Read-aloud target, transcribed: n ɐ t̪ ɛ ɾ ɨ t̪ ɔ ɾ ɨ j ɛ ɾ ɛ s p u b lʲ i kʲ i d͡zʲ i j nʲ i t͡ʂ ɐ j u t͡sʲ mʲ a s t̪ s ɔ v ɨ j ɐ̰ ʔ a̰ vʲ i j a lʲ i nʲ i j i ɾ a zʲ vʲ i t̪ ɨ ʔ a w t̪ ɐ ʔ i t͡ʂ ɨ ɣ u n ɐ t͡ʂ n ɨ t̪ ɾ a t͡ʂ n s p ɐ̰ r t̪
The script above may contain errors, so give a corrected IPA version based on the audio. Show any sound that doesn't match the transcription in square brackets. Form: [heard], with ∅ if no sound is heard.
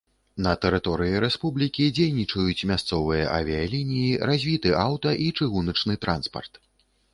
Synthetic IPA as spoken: n ɐ t̪ ɛ ɾ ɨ t̪ ɔ ɾ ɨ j [i] ɾ ɛ s p u b lʲ i kʲ i d͡zʲ [e] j nʲ i t͡ʂ ɐ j u t͡sʲ mʲ a s t̪ s ɔ v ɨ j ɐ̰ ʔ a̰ vʲ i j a lʲ i nʲ i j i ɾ a zʲ vʲ i t̪ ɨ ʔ a w t̪ ɐ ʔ i t͡ʂ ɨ ɣ u n ɐ t͡ʂ n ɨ t̪ ɾ a [∅] n s p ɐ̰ r t̪